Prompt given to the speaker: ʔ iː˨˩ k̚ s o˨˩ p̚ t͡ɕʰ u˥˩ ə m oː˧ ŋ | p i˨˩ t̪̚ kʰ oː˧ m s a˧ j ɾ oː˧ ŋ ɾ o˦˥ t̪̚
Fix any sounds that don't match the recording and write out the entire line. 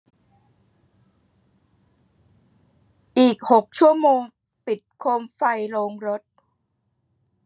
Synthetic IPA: ʔ iː˨˩ k̚ h o˨˩ k̚ t͡ɕʰ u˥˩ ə m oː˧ ŋ | p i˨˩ t̪̚ kʰ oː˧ m f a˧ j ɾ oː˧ ŋ ɾ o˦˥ t̪̚